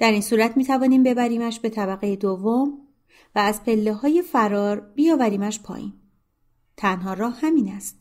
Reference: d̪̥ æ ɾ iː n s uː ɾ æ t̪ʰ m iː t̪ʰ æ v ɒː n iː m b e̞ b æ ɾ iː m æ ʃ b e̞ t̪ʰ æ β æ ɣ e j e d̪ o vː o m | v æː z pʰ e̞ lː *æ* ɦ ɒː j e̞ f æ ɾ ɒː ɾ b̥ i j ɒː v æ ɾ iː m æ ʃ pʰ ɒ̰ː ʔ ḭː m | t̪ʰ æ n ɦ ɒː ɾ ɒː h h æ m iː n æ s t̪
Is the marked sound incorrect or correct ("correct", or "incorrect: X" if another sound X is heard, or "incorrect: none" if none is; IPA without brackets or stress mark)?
incorrect: e